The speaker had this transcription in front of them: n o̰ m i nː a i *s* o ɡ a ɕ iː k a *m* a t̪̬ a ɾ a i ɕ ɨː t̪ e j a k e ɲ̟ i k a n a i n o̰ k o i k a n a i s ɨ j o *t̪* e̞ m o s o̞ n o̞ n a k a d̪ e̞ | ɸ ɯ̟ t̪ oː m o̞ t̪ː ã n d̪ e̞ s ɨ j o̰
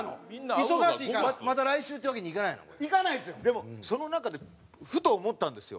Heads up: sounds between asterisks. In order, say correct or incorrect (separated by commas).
correct, correct, incorrect